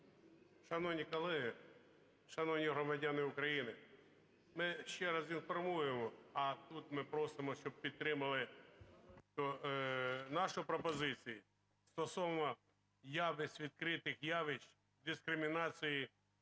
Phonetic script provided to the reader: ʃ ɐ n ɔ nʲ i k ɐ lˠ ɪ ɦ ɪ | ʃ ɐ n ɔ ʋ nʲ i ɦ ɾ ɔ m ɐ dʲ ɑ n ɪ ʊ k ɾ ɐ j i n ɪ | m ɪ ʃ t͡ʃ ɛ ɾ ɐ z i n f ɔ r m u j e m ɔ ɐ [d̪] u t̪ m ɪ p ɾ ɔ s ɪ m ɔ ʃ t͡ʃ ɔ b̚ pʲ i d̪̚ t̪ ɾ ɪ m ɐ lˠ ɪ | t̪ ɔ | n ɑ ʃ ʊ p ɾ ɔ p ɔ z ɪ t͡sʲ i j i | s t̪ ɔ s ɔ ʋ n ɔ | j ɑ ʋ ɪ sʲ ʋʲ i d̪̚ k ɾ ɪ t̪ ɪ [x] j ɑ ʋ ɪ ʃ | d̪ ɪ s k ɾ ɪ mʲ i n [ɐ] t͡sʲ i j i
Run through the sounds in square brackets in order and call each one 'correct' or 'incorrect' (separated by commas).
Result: incorrect, correct, incorrect